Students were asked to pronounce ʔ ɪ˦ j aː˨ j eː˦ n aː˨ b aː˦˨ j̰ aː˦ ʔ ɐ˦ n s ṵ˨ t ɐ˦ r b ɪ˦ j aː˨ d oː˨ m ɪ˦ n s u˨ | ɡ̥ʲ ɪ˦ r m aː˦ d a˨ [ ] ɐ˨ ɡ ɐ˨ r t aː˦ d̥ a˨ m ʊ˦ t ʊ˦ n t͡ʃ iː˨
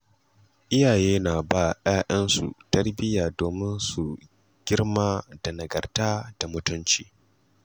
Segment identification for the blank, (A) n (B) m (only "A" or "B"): A